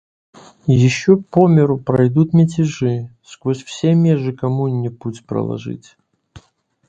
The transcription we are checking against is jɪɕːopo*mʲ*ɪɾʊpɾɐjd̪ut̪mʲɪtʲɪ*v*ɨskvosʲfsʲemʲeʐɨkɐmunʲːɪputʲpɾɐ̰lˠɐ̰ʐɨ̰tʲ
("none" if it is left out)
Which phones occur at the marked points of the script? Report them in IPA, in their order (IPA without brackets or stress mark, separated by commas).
mʲ, ʐ